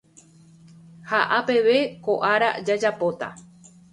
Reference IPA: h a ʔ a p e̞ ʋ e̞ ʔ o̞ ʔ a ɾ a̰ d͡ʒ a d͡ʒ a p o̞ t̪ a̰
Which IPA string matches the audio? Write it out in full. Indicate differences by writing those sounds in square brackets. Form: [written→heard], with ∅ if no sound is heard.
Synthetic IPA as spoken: h a ʔ a p e̞ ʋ e̞ [ʔ→k] o̞ ʔ a ɾ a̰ d͡ʒ a d͡ʒ a p o̞ t̪ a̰